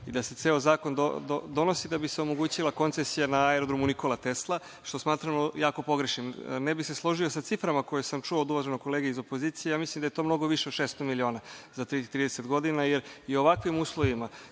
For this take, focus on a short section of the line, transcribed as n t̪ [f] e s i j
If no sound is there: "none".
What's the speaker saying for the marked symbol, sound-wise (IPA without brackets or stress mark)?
s